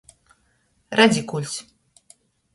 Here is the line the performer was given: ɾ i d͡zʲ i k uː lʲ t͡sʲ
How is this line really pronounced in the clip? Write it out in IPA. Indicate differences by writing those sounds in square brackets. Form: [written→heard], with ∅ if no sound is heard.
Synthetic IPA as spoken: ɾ [i→a] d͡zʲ i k [uː→u] lʲ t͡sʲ